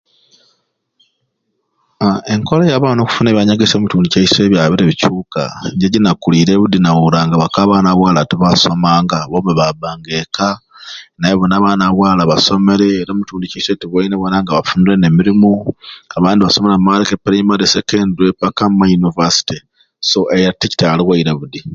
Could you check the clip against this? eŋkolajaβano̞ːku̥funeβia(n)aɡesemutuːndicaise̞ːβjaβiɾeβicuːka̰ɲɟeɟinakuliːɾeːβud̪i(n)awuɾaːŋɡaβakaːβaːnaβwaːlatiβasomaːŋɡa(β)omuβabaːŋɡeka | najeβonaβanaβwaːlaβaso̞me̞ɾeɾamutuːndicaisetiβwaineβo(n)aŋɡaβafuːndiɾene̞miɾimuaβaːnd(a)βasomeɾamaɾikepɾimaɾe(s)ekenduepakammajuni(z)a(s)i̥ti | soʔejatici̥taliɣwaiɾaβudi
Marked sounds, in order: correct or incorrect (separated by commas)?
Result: incorrect, correct, correct, correct, incorrect, correct, incorrect, correct